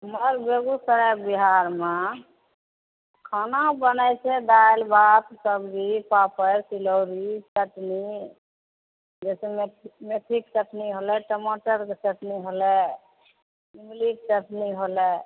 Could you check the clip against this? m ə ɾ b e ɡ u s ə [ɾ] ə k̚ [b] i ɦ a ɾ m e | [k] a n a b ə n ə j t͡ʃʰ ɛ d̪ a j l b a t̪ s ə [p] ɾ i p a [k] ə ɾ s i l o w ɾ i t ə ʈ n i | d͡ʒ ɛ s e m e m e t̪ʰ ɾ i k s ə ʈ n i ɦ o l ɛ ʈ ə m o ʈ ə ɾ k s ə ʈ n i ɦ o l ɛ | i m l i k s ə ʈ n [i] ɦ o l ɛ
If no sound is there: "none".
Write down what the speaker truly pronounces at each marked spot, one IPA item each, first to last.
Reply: ɾ, b, kʰ, b, p, i

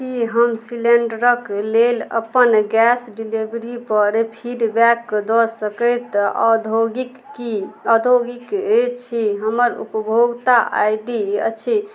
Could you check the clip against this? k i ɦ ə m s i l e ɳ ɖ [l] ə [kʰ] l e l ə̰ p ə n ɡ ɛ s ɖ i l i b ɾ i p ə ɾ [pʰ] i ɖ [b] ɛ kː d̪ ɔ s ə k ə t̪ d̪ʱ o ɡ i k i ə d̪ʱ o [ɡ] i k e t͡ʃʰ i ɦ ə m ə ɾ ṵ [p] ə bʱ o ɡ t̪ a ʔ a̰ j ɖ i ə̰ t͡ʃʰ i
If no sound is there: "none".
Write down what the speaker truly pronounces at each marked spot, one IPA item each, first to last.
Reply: ɾ, k, pʰ, b, ɡ, p

